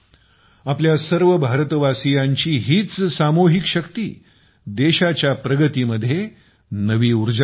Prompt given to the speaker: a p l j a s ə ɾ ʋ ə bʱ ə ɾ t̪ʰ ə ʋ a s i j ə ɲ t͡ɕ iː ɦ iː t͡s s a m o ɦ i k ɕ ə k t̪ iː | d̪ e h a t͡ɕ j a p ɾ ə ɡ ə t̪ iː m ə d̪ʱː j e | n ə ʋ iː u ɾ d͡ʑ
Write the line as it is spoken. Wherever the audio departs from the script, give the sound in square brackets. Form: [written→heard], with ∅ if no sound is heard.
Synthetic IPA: a p l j a s ə ɾ ʋ ə bʱ [ə→a] ɾ [t̪ʰ→t̪] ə ʋ a s i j [ə→a] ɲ t͡ɕ iː ɦ iː t͡s s a m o ɦ i k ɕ ə k t̪ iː | d̪ e [h→ɕ] a t͡ɕ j a p ɾ ə ɡ ə t̪ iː m ə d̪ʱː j e | n ə ʋ iː u ɾ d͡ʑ